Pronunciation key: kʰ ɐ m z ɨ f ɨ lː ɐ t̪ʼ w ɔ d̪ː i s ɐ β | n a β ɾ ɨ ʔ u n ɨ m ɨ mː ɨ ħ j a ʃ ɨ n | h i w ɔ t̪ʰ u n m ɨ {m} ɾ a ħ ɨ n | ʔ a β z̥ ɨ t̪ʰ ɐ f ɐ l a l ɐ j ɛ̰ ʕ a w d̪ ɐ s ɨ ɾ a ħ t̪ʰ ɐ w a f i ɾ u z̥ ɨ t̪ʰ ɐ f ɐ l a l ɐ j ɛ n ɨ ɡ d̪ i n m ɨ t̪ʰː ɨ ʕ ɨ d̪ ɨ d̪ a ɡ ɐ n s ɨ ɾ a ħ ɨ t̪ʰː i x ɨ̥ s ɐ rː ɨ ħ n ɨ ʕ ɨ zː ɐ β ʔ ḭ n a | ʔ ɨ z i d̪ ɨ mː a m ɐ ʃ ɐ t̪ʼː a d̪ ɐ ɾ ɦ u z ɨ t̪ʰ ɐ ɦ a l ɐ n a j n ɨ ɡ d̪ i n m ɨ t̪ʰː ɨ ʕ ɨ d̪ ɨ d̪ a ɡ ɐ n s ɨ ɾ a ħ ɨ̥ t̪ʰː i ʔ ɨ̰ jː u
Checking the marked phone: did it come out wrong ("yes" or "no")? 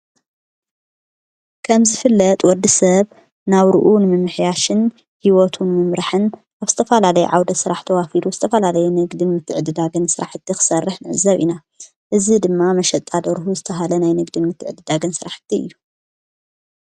no